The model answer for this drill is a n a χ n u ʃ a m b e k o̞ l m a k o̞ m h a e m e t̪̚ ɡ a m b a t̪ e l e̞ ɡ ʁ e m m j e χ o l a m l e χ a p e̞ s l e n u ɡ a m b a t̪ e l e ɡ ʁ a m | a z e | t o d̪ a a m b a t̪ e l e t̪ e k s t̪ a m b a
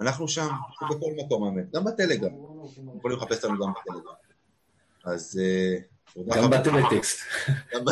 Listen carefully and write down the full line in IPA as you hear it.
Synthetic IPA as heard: a n a χ n u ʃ a m b e k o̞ l m a k o̞ m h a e m e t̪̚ ɡ a m b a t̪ e l e̞ ɡ ʁ a m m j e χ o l i m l e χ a p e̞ s l a n u ɡ a m b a t̪ e l e ɡ ʁ a m | a z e | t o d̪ a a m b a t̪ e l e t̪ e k s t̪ a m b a